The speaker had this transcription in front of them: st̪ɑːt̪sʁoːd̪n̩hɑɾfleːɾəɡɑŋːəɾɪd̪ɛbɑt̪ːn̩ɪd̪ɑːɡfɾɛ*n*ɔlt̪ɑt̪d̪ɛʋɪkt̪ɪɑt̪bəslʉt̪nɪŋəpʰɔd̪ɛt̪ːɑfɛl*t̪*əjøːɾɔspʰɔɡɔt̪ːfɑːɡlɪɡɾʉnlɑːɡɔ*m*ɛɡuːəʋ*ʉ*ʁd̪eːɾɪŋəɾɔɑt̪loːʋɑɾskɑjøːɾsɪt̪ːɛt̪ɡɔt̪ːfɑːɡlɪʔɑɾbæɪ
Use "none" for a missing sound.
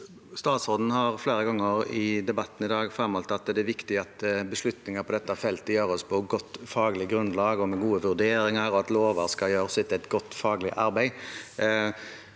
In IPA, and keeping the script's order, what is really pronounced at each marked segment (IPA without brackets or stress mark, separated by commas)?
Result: m, t̪, m, ʉ